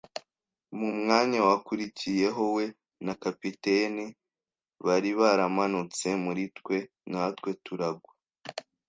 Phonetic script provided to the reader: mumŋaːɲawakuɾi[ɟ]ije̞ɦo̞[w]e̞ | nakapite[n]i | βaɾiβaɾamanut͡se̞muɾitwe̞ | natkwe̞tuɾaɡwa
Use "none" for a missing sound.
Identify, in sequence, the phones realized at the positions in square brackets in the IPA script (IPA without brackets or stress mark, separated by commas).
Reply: c, w, n